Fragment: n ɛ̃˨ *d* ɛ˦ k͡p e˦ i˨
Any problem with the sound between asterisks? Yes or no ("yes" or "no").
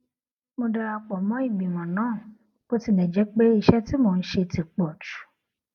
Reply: yes